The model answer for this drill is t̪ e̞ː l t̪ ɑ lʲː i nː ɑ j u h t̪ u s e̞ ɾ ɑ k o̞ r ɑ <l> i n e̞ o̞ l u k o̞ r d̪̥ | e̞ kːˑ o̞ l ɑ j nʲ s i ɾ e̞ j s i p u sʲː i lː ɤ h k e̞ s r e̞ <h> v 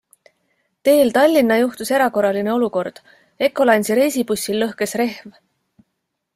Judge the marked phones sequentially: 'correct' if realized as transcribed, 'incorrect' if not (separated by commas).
correct, correct